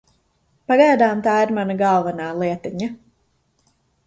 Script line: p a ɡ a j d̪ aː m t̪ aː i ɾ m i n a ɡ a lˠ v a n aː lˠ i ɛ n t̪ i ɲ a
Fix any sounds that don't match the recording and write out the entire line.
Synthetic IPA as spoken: p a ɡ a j d̪ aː m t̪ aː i ɾ m a n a ɡ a lˠ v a n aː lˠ i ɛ t̪ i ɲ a

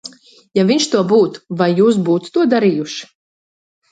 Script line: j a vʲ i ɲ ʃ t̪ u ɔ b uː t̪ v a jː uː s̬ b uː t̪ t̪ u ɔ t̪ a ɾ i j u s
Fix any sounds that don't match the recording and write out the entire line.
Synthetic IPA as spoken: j a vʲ i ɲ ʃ t̪ u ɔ b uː t̪ v a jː uː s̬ b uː t̪ t̪ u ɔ d̪ a ɾ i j u ʃ

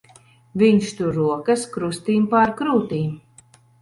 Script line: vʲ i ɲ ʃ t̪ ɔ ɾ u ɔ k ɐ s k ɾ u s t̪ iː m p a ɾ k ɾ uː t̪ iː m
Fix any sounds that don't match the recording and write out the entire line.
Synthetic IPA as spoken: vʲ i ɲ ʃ t̪ u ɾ u ɔ k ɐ s k ɾ u s t̪ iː m p a ɾ k ɾ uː t̪ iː m

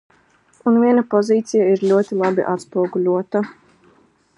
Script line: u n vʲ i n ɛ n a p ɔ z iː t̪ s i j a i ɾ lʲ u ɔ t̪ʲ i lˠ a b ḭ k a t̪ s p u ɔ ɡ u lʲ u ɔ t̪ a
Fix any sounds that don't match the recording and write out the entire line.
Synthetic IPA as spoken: u n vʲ i ɛ n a p ɔ z iː t̪ s i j a i ɾ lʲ u ɔ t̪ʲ i lˠ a b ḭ ʔ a t̪ s p u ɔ ɡ u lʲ u ɔ t̪ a

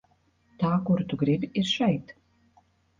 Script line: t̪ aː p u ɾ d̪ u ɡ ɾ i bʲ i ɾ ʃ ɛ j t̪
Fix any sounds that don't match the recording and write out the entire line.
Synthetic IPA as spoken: t̪ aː k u ɾ t̪ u ɡ ɾ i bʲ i ɾ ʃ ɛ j t̪

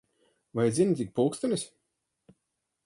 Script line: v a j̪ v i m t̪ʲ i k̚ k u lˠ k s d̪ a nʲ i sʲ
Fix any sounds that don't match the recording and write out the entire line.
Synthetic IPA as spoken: v a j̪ z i n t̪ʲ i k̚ p u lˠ k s t̪ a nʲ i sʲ

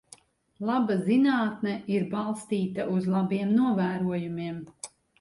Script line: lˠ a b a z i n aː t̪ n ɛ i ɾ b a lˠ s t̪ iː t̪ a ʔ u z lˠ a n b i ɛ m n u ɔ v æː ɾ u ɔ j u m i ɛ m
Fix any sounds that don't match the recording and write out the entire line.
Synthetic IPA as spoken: lˠ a b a z i n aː t̪ n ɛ i ɾ b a lˠ s t̪ iː t̪ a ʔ u z lˠ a b i ɛ m n u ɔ v æː ɾ u ɔ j u m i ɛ m

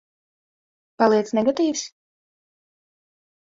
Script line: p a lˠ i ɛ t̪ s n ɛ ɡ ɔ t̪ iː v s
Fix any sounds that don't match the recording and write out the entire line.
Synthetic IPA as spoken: p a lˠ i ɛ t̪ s n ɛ ɡ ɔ t̪ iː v s

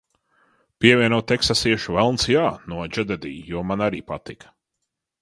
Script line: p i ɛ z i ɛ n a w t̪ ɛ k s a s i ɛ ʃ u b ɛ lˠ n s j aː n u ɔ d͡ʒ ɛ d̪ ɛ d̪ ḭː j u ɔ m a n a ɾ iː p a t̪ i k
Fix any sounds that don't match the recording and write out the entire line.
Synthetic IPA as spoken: p i ɛ v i ɛ n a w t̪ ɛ k s a s i ɛ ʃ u v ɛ lˠ n s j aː n u ɔ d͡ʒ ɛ d̪ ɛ d̪ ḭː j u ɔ m a n a ɾ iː p a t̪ i k

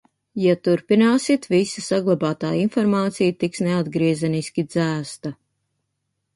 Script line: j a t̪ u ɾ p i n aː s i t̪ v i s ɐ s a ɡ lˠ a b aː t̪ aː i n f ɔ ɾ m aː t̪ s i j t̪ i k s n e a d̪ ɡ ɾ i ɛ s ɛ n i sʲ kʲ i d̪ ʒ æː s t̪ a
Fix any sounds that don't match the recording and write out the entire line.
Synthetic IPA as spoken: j a t̪ u ɾ p i n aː s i t̪ v i s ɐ s a ɡ lˠ a b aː t̪ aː i n f ɔ ɾ m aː t̪ s i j t̪ i k s n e a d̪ ɡ ɾ i ɛ z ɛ n i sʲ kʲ i d̪ z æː s t̪ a

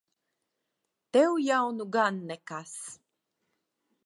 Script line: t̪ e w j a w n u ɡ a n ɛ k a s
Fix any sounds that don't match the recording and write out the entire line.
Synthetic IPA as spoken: t̪ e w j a w n u ɡ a nː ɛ k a s

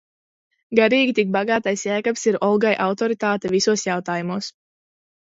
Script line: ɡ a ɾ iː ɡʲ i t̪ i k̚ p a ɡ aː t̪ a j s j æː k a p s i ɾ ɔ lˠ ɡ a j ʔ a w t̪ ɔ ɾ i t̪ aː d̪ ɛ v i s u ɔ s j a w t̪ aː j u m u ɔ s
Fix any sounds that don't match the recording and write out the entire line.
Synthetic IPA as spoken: ɡ a ɾ iː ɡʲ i t̪ i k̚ b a ɡ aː t̪ a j s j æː k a p s i ɾ ɔ lˠ ɡ a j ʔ a w t̪ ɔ ɾ i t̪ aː t̪ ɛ v i s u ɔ s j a w t̪ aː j u m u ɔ s

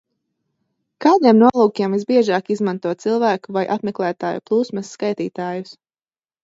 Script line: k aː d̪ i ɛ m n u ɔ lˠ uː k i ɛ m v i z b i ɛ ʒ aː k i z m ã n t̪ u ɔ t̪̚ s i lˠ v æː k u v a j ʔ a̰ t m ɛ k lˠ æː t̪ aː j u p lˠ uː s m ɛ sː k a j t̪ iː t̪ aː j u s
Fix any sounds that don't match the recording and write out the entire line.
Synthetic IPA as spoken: k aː d̪ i ɛ m n u ɔ lˠ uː k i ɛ m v i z b i ɛ ʒ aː k i z m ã n t̪ u ɔ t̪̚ s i lˠ v æː k u v a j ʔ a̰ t m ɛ k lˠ æː t̪ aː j u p lˠ uː s m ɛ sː k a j t̪ iː t̪ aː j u s

